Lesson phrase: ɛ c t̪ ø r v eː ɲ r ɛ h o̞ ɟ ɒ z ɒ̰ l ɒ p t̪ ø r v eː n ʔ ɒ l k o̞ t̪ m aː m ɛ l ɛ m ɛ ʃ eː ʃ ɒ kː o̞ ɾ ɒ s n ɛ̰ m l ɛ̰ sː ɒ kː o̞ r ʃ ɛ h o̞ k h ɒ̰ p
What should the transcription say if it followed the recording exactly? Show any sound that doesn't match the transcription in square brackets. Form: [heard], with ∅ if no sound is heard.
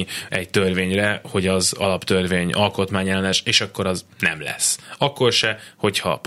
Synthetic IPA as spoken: ɛ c t̪ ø r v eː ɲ r ɛ h o̞ ɟ ɒ z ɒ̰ l ɒ p t̪ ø r v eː [ɲ] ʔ ɒ l k o̞ t̪ m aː [ɲ] ɛ l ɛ [n] ɛ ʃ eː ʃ ɒ kː o̞ ɾ ɒ [z] n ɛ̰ m l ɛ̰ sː ɒ kː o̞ r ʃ ɛ h o̞ [c] h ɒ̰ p